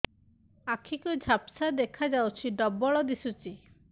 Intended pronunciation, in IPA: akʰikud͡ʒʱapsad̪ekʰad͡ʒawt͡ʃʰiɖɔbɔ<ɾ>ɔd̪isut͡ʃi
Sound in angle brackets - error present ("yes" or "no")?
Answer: yes